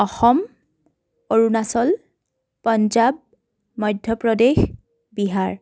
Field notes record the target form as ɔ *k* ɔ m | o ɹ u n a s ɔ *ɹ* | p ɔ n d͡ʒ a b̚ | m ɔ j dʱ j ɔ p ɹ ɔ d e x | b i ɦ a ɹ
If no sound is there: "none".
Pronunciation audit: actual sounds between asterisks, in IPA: x, l

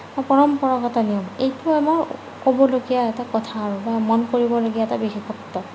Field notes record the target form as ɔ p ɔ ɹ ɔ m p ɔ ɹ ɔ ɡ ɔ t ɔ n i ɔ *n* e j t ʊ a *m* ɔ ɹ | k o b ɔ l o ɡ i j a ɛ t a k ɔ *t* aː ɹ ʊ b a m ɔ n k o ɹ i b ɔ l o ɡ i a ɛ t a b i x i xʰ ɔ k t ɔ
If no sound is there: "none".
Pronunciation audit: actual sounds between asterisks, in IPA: m, m, tʰ

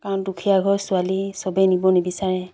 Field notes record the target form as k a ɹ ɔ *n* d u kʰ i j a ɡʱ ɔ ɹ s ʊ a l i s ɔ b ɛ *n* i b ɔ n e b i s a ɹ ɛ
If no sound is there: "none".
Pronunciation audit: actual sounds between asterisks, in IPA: n, n

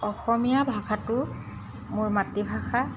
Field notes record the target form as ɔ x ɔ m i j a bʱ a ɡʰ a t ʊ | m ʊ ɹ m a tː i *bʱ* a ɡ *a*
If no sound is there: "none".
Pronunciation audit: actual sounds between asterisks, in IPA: bʱ, a

